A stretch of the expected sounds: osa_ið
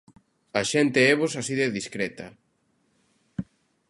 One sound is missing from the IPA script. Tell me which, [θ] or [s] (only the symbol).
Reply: s